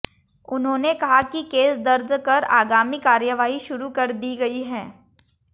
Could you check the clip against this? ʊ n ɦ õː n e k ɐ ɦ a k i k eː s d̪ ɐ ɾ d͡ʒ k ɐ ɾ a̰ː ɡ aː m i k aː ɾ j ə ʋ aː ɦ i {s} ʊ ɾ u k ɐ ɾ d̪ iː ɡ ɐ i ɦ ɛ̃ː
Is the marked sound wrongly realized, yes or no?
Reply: yes